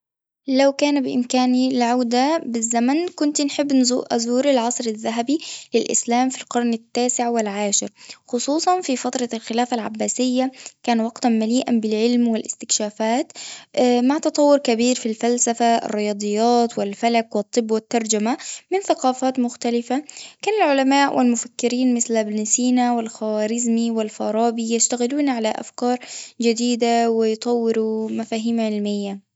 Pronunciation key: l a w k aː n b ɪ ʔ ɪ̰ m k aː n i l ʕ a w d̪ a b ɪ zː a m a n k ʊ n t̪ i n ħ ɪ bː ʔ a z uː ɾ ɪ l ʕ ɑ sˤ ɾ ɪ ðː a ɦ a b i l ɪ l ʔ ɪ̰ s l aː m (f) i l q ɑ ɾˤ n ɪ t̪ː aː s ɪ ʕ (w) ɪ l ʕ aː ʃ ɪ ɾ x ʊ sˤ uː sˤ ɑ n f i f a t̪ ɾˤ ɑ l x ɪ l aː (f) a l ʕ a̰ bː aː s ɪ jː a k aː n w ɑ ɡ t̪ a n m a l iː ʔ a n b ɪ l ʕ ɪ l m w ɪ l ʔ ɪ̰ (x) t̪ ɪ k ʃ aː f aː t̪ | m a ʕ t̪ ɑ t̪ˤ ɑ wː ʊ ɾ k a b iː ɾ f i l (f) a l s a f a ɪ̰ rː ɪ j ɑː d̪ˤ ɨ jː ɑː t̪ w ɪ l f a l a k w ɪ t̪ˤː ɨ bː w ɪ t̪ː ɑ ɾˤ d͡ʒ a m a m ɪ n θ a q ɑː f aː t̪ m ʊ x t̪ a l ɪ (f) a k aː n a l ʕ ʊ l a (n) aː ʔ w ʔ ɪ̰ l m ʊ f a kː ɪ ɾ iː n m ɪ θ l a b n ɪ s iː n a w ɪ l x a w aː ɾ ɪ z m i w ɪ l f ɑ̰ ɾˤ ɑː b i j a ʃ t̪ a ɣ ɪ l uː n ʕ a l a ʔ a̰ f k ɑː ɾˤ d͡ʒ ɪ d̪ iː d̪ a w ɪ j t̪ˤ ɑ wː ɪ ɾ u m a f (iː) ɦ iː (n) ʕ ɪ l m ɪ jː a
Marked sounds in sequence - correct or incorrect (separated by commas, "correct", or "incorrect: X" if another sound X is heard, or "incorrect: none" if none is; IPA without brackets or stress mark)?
correct, correct, correct, incorrect: s, correct, correct, incorrect: m, incorrect: aː, incorrect: m